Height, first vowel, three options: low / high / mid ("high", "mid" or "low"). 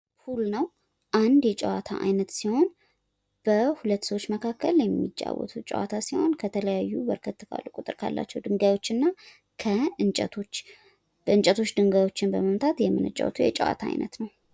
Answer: high